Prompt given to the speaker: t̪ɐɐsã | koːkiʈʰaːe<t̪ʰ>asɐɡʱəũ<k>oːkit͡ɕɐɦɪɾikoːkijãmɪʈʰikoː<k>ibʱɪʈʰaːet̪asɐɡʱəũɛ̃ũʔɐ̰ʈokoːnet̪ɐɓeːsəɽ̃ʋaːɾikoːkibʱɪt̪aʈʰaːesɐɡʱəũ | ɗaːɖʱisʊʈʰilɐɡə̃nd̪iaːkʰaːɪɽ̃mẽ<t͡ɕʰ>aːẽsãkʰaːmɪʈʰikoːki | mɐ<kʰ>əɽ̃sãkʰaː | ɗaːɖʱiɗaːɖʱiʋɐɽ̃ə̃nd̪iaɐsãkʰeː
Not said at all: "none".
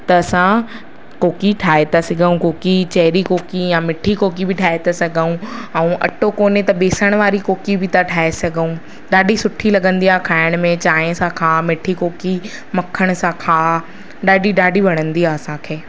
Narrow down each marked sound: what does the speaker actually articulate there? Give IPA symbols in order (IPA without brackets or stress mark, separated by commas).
t̪, k, k, t͡ɕ, kʰ